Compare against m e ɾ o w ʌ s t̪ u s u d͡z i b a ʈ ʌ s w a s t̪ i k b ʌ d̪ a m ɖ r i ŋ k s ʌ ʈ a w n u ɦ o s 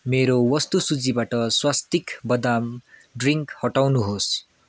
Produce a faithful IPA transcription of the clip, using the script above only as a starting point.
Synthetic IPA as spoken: m e ɾ o w ʌ s t̪ u s u d͡z i b a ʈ ʌ s w a s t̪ i k b ʌ d̪ a m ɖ r i ŋ k h ʌ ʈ a w n u ɦ o s